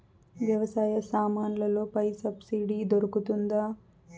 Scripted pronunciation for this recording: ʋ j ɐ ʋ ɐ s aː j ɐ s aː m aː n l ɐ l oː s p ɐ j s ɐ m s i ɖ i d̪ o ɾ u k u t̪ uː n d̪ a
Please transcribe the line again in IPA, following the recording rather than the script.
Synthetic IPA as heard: ʋ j ɐ ʋ ɐ s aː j ɐ s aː m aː n l ɐ l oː p ɐ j s ɐ b s i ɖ i d̪ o ɾ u k u t̪ u n d̪ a